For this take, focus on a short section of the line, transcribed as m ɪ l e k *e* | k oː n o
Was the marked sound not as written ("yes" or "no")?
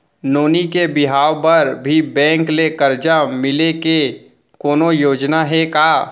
no